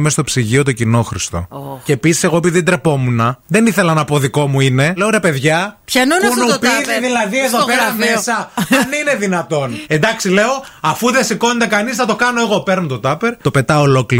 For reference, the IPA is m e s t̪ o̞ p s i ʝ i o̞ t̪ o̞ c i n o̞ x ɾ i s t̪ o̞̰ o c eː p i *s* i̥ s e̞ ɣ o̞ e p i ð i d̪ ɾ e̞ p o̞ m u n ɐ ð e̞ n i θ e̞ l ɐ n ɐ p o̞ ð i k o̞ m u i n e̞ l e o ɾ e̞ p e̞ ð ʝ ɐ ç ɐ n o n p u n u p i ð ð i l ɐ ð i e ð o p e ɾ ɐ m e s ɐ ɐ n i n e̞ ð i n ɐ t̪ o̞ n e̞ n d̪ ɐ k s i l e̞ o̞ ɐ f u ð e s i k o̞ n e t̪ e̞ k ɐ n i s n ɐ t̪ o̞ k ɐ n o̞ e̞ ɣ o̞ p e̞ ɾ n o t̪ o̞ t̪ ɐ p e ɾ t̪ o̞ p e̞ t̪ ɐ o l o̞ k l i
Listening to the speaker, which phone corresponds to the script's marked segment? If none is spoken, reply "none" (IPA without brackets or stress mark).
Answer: s